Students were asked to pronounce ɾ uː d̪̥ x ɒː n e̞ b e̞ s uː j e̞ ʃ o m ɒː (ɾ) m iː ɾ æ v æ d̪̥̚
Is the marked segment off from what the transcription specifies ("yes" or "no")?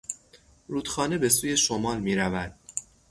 yes